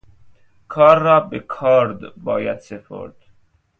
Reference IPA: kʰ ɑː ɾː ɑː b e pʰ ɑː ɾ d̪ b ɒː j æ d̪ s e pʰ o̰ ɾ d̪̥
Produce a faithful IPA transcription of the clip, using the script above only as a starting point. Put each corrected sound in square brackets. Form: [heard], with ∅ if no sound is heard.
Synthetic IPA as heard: kʰ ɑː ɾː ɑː b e [kʰ] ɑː ɾ d̪ b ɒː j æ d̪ s e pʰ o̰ ɾ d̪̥